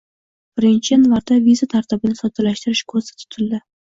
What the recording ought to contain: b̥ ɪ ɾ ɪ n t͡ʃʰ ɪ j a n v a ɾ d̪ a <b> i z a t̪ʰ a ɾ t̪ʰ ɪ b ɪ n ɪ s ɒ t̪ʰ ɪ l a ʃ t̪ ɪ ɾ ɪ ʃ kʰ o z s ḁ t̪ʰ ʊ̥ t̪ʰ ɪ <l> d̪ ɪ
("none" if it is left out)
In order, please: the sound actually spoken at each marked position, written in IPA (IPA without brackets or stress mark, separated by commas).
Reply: v, l